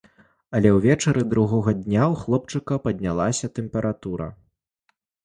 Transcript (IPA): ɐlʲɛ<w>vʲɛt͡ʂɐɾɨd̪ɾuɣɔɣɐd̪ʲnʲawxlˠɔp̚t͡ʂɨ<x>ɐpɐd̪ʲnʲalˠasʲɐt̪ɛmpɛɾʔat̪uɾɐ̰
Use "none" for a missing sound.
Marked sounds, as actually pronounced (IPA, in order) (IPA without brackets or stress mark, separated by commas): w, k